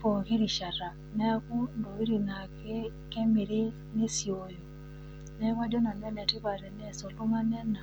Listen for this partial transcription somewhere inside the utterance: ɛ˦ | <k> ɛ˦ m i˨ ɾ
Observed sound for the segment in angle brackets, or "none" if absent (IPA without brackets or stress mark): k